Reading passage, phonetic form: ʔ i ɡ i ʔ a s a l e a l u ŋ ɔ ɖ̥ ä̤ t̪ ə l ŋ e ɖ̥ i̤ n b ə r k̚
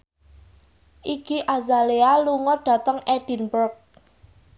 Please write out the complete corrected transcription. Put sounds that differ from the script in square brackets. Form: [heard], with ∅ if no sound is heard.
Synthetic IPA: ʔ i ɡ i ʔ a [z] a l e a l u ŋ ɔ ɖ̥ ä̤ t̪ ə [∅] ŋ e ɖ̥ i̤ n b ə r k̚